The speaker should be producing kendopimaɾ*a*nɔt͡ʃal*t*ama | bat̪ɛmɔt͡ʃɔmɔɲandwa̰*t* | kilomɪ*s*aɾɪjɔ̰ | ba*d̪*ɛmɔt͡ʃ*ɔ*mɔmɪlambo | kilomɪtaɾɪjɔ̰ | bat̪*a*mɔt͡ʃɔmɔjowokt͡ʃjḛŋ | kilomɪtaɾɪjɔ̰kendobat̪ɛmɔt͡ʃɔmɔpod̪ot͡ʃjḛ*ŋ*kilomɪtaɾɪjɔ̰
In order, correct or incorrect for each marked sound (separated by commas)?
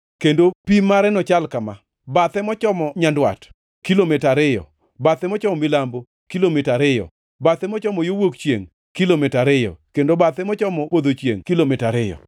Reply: incorrect, incorrect, correct, incorrect, incorrect, correct, incorrect, correct